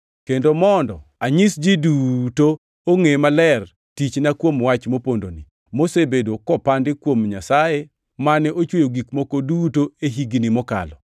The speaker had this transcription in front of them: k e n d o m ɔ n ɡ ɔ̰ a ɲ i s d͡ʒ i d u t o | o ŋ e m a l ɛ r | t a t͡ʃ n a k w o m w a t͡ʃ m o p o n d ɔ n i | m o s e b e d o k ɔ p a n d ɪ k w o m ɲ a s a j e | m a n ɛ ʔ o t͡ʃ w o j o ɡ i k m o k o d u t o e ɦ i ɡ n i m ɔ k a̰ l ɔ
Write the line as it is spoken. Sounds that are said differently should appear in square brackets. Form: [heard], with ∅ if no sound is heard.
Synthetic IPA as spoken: k e n d o m ɔ n [d] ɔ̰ a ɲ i s d͡ʒ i d u t o | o ŋ e m a l ɛ r | t [i] t͡ʃ n a k w o m w a t͡ʃ m o p o n d [o] n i | m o s e b e d o k ɔ p a n d ɪ k w o m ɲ a s a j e | m a n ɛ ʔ o t͡ʃ w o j o ɡ i k m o k o d u t o e ɦ i ɡ n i m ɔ k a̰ l ɔ